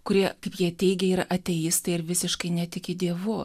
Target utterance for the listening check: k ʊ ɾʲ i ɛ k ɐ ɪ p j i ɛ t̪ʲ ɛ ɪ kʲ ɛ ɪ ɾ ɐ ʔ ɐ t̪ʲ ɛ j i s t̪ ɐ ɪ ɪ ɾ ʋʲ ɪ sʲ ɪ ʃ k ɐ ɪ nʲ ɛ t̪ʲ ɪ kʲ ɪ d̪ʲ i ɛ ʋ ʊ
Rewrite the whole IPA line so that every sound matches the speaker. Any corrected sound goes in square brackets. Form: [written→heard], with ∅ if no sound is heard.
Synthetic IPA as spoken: k ʊ ɾʲ i ɛ k ɐ ɪ p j i ɛ t̪ʲ ɛ ɪ [kʲ→ɡʲ] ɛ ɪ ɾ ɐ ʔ ɐ t̪ʲ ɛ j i s t̪ ɐ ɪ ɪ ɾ ʋʲ ɪ sʲ ɪ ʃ k ɐ ɪ nʲ ɛ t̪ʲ ɪ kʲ ɪ d̪ʲ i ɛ ʋ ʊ